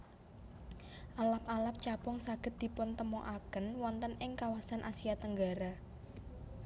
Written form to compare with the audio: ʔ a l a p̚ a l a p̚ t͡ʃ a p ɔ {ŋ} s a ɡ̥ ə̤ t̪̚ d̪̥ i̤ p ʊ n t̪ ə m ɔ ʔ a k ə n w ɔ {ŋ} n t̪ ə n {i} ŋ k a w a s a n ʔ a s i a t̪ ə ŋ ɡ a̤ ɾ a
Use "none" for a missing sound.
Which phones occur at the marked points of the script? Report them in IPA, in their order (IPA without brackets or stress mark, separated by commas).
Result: ŋ, none, ɪ